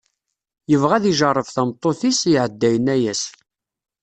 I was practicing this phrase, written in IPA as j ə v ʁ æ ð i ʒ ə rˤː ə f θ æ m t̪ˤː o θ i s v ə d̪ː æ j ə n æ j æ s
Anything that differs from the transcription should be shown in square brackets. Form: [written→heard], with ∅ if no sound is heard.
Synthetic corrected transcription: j ə v ʁ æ ð i ʒ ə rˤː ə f θ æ m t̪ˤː o θ i s [v→ʕ] ə d̪ː æ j ə n æ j æ s